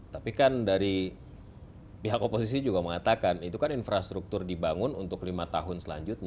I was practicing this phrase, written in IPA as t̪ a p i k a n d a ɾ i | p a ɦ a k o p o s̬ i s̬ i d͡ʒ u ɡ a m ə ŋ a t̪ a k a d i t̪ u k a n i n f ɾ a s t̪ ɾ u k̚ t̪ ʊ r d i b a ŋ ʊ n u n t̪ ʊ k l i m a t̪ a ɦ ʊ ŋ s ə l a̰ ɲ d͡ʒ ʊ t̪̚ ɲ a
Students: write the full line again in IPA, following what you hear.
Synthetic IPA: t̪ a p i k a n d a ɾ i | p i ɦ a k o p o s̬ i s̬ i d͡ʒ u ɡ a m ə ŋ a t̪ a k a n i t̪ u k a n i n f ɾ a s t̪ ɾ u k̚ t̪ ʊ r d i b a ŋ ʊ n u n t̪ ʊ k l i m a t̪ a ɦ ʊ n s ə l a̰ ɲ d͡ʒ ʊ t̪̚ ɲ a